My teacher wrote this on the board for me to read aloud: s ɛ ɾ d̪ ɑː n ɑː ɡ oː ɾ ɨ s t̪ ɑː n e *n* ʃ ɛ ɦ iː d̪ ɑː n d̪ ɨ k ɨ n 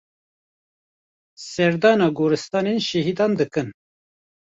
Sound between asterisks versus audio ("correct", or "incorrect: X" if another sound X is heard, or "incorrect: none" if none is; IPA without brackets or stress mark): correct